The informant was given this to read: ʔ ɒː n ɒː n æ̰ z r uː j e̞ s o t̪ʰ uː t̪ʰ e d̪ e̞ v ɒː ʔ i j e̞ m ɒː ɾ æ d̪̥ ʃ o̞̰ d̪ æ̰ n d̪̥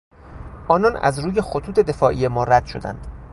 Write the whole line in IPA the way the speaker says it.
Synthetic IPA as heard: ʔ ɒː n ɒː n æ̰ z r uː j e̞ x o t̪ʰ uː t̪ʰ e d̪ e̞ f ɒː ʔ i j e̞ m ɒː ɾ æ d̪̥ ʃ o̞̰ d̪ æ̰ n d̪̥